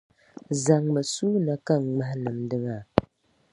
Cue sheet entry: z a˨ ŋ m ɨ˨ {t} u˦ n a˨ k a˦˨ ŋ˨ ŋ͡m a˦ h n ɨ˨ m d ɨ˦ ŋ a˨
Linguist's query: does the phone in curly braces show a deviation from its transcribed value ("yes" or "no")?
yes